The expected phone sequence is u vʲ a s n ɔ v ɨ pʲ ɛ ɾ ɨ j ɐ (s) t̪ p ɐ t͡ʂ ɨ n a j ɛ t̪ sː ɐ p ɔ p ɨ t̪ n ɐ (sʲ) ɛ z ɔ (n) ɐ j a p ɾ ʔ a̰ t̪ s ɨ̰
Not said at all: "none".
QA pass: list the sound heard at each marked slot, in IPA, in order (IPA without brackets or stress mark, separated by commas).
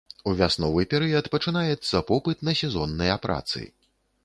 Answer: none, sʲ, nː